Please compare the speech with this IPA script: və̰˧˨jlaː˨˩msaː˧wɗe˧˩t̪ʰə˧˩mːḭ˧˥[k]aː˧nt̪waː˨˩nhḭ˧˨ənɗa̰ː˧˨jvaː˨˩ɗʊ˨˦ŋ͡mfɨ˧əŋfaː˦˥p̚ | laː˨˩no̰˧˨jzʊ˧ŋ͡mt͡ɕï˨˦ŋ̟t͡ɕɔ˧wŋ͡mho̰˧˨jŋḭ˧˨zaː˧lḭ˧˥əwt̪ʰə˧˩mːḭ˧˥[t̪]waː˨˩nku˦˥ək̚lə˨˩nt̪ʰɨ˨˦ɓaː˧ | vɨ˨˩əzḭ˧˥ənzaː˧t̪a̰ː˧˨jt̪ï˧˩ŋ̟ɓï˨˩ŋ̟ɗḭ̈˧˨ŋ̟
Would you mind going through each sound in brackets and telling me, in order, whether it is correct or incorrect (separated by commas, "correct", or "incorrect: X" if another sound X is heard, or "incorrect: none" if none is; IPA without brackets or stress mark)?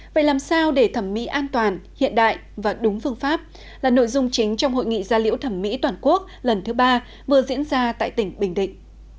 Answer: incorrect: ʔ, correct